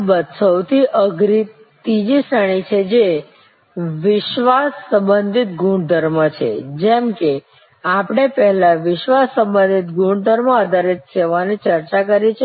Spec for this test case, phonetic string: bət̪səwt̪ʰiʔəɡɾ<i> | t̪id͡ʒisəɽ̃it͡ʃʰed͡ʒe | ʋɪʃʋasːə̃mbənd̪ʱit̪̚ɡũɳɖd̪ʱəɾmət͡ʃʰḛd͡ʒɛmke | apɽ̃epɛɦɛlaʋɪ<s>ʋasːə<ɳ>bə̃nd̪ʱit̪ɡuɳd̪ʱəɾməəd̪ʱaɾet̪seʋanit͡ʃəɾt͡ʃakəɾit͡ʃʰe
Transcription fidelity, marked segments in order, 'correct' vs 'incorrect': correct, incorrect, incorrect

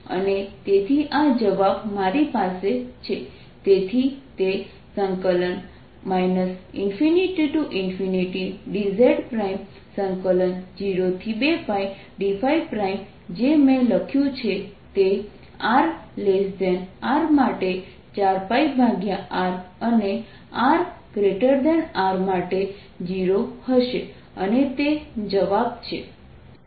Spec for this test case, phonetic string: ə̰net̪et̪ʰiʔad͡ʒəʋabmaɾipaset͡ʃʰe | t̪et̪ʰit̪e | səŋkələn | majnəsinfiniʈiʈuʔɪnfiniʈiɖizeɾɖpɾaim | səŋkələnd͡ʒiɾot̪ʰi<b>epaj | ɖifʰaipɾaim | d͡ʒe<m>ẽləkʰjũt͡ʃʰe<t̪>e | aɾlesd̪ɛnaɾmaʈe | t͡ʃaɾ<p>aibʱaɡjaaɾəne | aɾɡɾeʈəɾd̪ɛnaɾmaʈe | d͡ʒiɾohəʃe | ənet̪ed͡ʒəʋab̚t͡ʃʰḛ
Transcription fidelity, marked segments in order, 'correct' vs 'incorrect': correct, correct, correct, correct

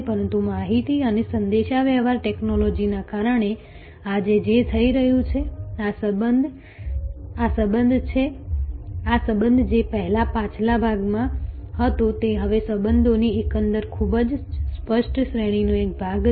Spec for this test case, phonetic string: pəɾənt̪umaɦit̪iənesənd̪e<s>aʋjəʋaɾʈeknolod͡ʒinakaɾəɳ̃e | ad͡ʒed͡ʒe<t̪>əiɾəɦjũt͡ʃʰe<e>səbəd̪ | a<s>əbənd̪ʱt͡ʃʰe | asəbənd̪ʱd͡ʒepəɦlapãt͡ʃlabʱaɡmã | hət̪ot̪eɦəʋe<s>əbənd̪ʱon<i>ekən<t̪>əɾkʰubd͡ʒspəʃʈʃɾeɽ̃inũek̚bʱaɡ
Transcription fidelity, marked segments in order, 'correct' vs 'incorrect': incorrect, incorrect, incorrect, correct, correct, correct, incorrect

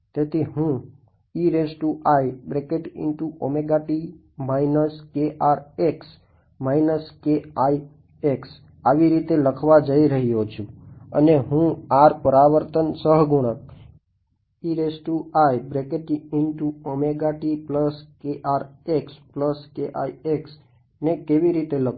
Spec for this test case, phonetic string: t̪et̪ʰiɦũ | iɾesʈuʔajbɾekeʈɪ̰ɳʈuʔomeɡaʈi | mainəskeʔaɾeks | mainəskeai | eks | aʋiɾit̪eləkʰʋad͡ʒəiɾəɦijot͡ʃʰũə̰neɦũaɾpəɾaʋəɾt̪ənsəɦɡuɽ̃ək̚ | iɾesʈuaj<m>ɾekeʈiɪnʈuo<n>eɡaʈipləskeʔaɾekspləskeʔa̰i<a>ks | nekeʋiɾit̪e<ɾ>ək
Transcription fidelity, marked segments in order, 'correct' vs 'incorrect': incorrect, incorrect, incorrect, incorrect

